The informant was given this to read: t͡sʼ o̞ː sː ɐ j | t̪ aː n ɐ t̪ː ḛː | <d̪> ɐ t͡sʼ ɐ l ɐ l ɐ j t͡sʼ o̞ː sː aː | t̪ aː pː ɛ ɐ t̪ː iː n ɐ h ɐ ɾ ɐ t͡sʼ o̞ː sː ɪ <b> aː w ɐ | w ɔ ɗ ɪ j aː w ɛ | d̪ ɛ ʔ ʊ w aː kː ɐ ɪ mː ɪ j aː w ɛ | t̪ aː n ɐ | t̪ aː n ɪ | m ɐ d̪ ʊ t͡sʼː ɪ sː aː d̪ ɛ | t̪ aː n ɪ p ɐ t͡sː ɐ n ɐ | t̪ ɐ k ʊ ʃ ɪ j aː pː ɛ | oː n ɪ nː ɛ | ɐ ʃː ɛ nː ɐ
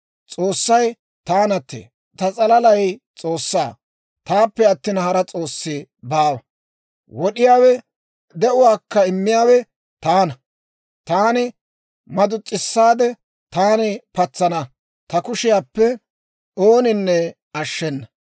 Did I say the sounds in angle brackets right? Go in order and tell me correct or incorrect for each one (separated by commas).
incorrect, correct